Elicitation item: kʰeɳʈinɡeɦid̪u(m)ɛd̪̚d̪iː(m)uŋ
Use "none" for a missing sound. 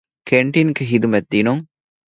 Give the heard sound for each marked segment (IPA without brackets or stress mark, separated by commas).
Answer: m, n